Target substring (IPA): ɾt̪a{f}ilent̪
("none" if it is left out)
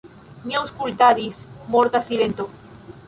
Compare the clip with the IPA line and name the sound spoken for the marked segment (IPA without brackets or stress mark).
s